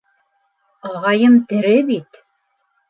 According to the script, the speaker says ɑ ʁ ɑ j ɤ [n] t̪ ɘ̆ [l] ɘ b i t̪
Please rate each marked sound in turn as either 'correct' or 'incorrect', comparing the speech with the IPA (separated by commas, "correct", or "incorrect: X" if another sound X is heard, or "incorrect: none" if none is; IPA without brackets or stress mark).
incorrect: m, incorrect: ɾ